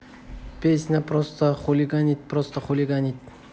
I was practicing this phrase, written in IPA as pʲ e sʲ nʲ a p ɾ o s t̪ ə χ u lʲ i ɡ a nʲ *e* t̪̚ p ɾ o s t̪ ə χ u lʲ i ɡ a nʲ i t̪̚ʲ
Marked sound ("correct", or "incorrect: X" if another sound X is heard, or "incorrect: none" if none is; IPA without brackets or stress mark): incorrect: i